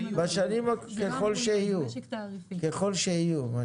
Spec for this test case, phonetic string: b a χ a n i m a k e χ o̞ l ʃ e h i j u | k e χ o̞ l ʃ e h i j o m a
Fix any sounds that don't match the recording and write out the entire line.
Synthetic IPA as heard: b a ʃ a n i m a k e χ o̞ l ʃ e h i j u | k e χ o̞ l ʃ e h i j u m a